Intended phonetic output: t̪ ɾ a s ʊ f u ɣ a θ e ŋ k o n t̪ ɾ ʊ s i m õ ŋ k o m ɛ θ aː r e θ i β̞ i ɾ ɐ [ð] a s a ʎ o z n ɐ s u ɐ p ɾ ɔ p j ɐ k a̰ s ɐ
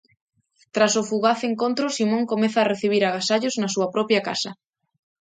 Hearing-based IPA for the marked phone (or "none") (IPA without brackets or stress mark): ɣ